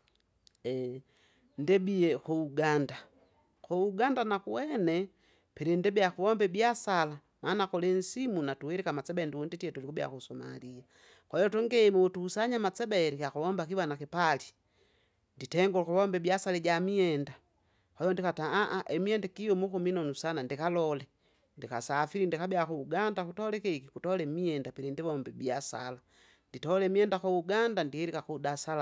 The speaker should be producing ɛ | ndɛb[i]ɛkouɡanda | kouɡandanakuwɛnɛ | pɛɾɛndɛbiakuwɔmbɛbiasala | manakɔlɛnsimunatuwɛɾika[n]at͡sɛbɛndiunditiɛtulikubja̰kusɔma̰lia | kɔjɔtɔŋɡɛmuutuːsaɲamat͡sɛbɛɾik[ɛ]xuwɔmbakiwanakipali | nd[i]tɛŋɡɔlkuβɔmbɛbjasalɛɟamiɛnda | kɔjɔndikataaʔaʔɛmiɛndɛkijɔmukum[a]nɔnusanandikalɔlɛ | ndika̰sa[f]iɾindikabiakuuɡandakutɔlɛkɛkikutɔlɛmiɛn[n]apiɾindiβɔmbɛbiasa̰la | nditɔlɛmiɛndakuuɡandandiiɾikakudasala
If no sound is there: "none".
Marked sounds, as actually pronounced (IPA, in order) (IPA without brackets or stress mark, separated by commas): i, m, a, i, i, f, d